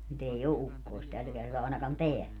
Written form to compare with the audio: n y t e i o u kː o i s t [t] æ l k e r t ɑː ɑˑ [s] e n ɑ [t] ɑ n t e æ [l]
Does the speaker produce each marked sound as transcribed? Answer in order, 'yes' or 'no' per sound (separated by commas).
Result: yes, no, no, yes